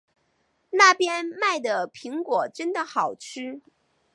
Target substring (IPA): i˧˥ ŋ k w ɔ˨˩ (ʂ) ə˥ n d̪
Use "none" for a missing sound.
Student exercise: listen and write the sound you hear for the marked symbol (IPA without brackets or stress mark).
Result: ʈ͡ʂ